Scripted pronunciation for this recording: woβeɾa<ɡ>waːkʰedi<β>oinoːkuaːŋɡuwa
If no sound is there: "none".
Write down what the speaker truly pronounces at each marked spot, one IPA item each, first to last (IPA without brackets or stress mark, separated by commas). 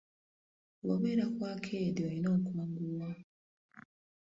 k, none